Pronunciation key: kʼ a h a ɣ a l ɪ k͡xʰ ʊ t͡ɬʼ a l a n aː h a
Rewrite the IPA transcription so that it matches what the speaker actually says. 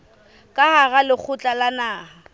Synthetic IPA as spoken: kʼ a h a ɣ a l ɪ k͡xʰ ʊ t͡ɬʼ a l a n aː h a